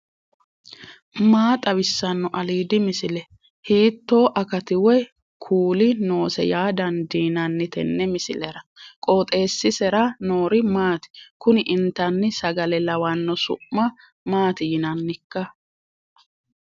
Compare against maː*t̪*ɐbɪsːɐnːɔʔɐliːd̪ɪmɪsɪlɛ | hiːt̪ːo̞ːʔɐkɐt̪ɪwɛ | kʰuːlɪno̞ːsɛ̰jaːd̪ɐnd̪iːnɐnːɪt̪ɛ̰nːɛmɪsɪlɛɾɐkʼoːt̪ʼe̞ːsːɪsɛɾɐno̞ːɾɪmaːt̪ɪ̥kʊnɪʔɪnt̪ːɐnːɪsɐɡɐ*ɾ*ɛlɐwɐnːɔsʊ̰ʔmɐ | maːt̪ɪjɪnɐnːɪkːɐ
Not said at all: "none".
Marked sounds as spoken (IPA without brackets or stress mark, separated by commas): t̪ʼ, l